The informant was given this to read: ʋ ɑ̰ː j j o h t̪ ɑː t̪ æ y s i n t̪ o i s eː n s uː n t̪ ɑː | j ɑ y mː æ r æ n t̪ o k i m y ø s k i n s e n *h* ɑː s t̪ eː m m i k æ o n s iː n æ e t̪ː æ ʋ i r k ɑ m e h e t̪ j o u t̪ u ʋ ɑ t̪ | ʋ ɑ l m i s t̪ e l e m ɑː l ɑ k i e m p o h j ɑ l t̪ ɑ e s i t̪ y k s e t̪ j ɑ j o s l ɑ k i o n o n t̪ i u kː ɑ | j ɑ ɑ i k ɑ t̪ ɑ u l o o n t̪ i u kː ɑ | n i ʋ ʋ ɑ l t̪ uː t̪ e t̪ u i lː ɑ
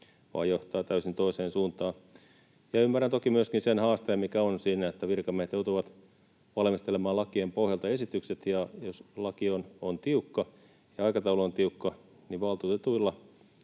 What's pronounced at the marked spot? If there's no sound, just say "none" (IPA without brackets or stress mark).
h